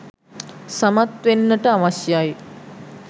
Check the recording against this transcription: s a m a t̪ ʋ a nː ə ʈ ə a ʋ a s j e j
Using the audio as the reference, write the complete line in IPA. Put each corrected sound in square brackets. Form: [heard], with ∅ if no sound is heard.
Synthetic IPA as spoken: s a m a t̪ ʋ [e] nː ə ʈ ə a ʋ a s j [a] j